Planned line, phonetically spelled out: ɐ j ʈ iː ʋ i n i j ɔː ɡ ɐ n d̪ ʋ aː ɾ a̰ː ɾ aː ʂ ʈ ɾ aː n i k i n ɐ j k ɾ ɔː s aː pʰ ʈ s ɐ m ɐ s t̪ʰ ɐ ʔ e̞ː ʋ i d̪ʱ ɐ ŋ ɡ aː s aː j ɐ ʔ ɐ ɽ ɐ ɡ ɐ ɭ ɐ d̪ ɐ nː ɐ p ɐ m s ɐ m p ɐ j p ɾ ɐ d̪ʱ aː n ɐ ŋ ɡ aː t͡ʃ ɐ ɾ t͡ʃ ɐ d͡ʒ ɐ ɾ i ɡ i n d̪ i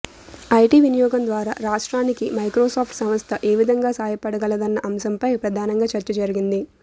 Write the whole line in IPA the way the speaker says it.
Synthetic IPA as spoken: ɐ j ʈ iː ʋ i n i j ɔː ɡ ɐ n d̪ ʋ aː ɾ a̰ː ɾ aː ʂ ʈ ɾ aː n i k i m ɐ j k ɾ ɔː s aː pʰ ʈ s ɐ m ɐ s t̪ʰ ɐ ʔ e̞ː ʋ i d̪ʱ ɐ ŋ ɡ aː s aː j ɐ p ɐ ɽ ɐ ɡ ɐ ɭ ɐ d̪ ɐ nː ɐ ʔ ɐ m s ɐ m p ɐ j p ɾ ɐ d̪ʱ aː n ɐ ŋ ɡ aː t͡ʃ ɐ ɾ t͡ʃ ɐ d͡ʒ ɐ ɾ i ɡ i n d̪ i

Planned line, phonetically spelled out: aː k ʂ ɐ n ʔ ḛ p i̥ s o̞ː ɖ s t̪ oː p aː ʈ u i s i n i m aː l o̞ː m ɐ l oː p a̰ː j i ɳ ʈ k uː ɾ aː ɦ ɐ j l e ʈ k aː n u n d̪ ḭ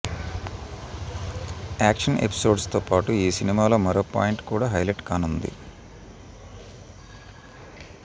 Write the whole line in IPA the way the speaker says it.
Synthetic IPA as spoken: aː k ʂ ɐ n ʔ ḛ p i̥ s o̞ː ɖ s t̪ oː p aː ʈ u iː s i n i m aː l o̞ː m ɐ ɾ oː p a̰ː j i ɳ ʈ k uː ɽ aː ɦ ɐ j l e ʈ k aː n u n d̪ ḭ

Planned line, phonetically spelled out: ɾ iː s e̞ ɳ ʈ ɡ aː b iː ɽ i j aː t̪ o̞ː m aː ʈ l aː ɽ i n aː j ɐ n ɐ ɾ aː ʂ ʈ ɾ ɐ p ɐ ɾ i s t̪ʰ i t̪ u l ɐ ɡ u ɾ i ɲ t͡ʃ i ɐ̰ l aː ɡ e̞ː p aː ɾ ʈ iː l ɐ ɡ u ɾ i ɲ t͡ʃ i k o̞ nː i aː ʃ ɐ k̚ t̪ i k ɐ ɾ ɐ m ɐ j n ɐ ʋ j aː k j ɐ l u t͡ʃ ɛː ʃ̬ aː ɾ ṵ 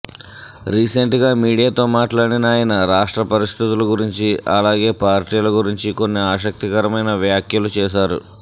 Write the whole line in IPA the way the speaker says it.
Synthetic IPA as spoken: ɾ iː s e̞ ɳ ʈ ɡ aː m iː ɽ i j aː t̪ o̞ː m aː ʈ l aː ɽ i n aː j ɐ n ɐ ɾ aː ʂ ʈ ɾ ɐ p ɐ ɾ i s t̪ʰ i t̪ u l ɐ ɡ u ɾ i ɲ t͡ʃ i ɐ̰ l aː ɡ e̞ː p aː ɾ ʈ iː l ɐ ɡ u ɾ i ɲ t͡ʃ i k o̞ nː i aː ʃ ɐ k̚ t̪ i k ɐ ɾ ɐ m ɐ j n ɐ ʋ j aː k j ɐ l u t͡ʃ ɛː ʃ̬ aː ɾ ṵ

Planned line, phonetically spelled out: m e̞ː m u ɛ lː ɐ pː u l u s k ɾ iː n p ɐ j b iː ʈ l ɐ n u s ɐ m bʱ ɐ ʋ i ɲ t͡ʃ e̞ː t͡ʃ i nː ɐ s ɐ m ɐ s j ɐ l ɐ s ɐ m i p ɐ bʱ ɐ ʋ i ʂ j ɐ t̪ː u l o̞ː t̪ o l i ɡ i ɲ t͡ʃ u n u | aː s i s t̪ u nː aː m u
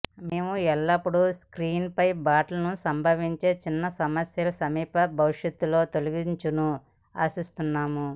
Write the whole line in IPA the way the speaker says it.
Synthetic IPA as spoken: m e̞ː m u ɛ lː ɐ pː u ɽ u s k ɾ iː n p ɐ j b aː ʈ l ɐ n u s ɐ m bʱ ɐ ʋ i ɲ t͡ʃ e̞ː t͡ʃ i nː ɐ s ɐ m ɐ s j ɐ l ɐ s ɐ m iː p ɐ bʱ ɐ ʋ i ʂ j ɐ t̪ː u l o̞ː t̪ o l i ɡ i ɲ t͡ʃ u n u | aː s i s t̪ u nː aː m u

